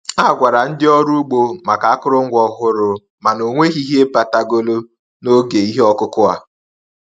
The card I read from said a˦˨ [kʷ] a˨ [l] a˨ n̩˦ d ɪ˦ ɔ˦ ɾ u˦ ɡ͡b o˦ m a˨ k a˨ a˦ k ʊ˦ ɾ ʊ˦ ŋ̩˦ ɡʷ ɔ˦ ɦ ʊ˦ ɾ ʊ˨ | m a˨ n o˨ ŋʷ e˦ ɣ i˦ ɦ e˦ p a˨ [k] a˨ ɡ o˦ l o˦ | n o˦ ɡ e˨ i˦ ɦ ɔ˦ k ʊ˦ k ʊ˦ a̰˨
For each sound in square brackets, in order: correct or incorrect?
incorrect: ɡʷ, incorrect: ɾ, incorrect: t

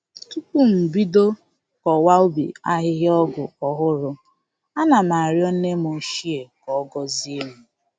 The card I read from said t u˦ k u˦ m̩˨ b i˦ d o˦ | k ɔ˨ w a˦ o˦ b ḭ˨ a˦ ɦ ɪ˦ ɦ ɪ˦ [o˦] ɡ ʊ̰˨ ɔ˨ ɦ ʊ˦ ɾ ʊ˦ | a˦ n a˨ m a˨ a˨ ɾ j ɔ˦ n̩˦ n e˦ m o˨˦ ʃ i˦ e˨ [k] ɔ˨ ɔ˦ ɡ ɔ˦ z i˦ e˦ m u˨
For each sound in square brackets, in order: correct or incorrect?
incorrect: ɔ˦, correct

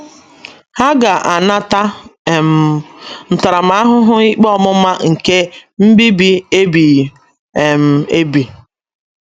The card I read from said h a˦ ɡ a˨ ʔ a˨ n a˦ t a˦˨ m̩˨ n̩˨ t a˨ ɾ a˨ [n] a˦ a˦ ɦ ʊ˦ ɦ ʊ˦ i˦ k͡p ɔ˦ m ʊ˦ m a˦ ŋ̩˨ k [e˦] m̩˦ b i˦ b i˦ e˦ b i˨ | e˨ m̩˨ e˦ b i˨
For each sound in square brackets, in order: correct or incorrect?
incorrect: m, correct

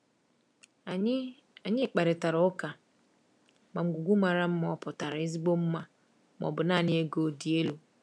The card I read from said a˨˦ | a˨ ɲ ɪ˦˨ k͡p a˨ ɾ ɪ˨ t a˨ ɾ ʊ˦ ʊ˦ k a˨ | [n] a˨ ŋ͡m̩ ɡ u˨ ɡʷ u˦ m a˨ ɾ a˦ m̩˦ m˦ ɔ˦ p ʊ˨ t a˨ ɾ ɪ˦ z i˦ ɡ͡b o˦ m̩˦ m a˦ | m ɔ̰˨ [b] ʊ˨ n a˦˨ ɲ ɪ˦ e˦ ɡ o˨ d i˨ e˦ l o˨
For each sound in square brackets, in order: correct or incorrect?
incorrect: m, correct

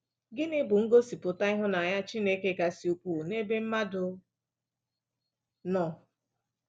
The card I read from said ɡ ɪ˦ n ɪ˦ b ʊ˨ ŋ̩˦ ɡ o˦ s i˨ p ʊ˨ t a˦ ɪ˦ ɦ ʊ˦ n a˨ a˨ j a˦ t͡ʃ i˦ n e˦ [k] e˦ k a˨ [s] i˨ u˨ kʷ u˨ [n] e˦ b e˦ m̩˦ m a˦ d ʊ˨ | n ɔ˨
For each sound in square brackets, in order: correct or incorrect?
correct, correct, correct

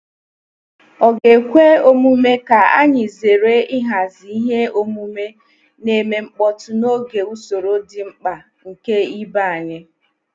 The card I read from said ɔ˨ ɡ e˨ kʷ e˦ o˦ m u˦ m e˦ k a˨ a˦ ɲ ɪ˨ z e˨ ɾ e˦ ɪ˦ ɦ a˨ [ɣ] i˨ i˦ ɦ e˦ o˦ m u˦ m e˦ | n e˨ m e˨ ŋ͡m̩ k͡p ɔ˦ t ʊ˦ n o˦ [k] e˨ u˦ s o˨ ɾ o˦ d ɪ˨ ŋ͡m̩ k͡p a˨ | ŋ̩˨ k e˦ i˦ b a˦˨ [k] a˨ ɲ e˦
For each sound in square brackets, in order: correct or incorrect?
incorrect: z, incorrect: ɡ, incorrect: none

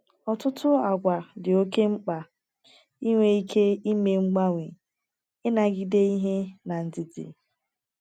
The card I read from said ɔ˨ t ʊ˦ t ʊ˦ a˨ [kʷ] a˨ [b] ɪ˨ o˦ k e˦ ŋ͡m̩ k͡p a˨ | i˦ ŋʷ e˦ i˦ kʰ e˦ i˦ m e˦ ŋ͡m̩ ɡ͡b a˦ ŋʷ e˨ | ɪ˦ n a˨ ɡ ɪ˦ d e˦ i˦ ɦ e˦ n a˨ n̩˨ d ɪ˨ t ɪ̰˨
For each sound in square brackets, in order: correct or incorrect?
incorrect: ɡʷ, incorrect: d

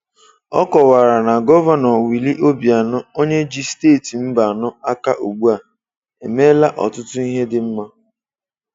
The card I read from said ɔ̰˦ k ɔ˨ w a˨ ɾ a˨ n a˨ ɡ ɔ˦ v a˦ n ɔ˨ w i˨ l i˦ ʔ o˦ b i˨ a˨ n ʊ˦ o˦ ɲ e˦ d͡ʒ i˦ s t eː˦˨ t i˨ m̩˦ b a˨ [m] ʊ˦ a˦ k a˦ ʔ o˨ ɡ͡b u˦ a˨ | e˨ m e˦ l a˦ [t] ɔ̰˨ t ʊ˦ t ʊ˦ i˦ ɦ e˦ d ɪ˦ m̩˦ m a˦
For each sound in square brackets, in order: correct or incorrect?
incorrect: n, incorrect: ʔ

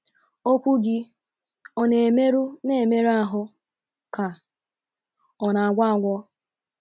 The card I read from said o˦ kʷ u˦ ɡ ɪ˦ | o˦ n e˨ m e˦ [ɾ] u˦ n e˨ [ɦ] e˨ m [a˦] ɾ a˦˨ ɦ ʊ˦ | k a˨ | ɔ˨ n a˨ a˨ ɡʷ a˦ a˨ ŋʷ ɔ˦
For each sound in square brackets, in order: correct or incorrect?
correct, incorrect: none, incorrect: e˦

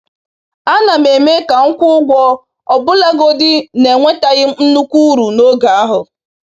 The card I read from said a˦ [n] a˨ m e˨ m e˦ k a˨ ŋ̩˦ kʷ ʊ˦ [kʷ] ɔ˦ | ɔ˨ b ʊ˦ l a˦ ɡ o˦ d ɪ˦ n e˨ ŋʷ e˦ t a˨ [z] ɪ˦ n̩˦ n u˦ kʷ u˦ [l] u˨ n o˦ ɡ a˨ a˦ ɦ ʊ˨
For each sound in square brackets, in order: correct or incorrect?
correct, incorrect: ɡʷ, incorrect: ɣ, incorrect: ɾ

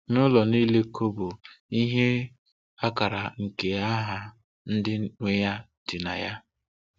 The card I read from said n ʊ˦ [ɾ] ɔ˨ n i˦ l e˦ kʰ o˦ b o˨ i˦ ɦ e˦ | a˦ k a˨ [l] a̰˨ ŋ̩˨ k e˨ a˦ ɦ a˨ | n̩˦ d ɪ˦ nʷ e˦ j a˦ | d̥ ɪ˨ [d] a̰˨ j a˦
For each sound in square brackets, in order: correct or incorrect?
incorrect: l, incorrect: ɾ, incorrect: n

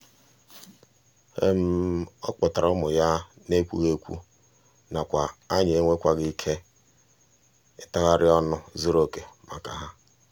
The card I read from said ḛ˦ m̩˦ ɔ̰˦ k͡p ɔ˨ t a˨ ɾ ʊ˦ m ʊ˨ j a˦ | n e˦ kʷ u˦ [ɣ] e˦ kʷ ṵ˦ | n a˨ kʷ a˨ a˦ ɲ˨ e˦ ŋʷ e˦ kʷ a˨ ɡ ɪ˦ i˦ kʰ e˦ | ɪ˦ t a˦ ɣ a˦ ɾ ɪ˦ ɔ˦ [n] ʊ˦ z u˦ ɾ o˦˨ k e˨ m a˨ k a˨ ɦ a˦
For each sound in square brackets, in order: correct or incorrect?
correct, correct

